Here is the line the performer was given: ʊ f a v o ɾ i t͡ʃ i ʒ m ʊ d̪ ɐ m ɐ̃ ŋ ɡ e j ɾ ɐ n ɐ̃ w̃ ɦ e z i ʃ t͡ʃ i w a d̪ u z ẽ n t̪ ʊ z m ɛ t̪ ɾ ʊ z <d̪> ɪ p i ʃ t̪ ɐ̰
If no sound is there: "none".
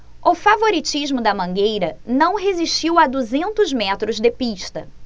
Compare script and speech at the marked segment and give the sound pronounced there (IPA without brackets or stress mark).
d̪